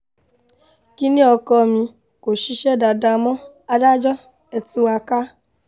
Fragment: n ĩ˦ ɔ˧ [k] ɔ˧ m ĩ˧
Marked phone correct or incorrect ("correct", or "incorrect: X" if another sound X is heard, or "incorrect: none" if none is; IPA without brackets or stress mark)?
correct